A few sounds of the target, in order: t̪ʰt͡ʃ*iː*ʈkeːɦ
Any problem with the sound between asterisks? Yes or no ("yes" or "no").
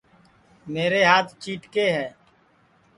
no